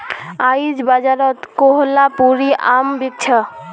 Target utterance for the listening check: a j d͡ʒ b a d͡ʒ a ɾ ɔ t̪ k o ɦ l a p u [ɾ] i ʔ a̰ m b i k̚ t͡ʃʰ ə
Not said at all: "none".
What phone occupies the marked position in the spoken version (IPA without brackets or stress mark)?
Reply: ɾ